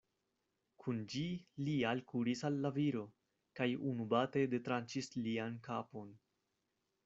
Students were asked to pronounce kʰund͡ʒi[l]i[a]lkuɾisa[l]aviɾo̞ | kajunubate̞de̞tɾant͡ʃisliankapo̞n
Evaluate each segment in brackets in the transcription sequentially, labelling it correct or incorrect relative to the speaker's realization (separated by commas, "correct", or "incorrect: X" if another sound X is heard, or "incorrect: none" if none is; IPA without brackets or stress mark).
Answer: correct, correct, incorrect: lː